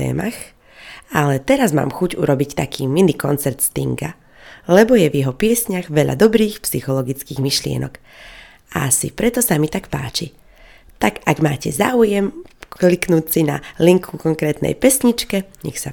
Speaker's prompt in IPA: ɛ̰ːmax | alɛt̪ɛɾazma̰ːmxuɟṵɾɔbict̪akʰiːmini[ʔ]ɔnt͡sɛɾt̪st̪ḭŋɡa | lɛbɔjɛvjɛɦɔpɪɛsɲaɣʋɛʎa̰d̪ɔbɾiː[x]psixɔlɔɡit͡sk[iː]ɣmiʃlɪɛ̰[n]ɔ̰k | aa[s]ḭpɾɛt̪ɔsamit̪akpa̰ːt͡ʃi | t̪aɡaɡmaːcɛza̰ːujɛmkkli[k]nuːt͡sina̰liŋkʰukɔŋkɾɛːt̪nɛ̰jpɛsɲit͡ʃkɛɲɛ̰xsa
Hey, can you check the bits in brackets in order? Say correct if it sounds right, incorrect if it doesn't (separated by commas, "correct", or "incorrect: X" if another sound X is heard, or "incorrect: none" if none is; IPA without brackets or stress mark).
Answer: incorrect: k, correct, correct, correct, correct, correct